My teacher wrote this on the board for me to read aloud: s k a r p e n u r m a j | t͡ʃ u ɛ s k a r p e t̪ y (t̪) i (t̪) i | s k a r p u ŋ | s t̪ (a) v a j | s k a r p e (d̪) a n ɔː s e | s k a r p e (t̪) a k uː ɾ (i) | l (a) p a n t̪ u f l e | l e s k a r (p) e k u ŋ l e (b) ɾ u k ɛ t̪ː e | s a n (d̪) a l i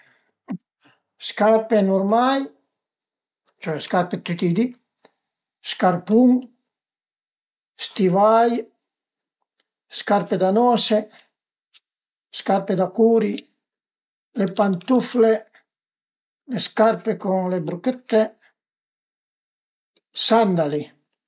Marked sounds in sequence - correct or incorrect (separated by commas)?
correct, incorrect, incorrect, correct, incorrect, correct, incorrect, correct, correct, correct